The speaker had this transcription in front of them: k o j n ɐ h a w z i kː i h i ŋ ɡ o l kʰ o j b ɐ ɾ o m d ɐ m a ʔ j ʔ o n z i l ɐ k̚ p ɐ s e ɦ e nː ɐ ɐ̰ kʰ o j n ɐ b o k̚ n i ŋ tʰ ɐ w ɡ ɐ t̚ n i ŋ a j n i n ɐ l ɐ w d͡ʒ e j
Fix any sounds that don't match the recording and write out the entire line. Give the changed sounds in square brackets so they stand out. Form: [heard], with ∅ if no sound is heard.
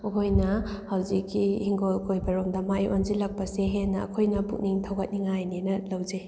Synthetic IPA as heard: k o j n ɐ h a w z i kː i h i ŋ ɡ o l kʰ o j b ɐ ɾ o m d ɐ m a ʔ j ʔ o n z i l ɐ k̚ p ɐ s e ɦ e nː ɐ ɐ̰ kʰ o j n ɐ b [u] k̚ n i ŋ tʰ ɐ w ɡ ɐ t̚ n i ŋ a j n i n ɐ l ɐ w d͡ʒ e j